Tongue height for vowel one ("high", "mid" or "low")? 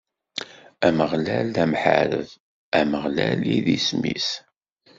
low